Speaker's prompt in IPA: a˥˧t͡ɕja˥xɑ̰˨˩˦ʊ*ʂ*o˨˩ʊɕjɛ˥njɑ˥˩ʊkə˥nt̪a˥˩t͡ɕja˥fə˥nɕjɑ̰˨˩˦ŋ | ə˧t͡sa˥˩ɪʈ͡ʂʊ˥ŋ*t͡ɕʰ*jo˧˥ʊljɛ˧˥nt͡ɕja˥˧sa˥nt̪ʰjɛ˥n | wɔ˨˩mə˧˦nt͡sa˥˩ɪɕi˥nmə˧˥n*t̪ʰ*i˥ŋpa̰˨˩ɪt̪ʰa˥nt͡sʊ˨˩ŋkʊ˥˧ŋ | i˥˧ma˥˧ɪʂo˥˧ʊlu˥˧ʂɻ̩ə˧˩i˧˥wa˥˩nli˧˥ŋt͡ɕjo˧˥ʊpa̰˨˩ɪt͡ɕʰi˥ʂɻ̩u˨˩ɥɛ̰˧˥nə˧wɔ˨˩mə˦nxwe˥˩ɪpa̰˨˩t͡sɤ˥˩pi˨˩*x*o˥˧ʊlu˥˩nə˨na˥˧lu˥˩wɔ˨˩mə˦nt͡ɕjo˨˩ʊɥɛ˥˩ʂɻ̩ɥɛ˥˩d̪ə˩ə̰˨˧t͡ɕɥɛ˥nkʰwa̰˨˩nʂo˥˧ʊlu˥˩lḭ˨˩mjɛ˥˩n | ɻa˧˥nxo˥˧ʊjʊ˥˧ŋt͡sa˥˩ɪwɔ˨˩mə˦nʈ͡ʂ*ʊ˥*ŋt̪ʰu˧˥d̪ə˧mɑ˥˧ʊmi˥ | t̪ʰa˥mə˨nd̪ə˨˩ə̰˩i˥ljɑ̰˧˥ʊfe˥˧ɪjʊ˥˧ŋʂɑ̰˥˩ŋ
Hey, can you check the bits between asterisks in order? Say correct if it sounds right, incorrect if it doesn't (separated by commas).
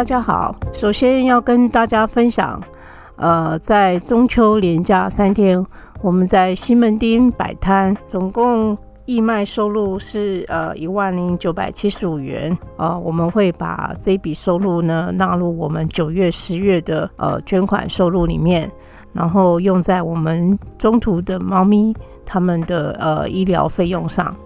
correct, correct, incorrect, incorrect, correct